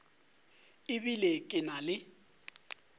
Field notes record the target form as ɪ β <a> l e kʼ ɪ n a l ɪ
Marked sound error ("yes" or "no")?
yes